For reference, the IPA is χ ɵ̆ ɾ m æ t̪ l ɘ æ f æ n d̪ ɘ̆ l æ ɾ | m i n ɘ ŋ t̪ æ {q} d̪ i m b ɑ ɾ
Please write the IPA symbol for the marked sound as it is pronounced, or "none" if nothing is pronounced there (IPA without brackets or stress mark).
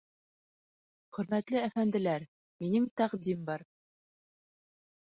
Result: q